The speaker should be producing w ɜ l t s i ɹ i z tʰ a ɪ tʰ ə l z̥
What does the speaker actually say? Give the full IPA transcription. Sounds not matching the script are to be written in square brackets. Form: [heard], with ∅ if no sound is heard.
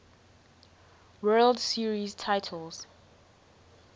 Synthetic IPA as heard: w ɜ l [d] s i ɹ i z tʰ a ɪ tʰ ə l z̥

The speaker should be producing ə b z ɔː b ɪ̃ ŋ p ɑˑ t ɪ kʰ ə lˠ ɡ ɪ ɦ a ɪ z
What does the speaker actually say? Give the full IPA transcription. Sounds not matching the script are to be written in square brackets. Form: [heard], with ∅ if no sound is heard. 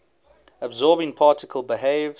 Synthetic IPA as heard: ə b z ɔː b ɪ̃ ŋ [pʰ] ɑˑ t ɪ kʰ ə lˠ [b] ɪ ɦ [e] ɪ [v]

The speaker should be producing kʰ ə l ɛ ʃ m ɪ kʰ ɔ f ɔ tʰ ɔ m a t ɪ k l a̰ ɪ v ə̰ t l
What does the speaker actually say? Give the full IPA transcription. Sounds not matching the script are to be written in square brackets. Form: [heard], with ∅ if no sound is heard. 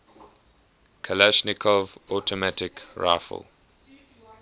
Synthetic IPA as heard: kʰ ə l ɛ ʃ [n] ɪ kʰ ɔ [v] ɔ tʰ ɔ m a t ɪ k [ɹ] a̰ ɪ [f] ə̰ [∅] l

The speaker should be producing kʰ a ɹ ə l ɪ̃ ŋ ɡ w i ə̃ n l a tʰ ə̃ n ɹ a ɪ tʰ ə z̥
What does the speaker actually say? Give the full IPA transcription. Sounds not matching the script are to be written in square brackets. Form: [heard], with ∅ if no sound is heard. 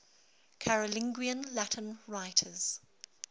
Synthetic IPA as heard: kʰ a ɹ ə l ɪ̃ ŋ ɡ w i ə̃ n l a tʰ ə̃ n ɹ a ɪ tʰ ə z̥

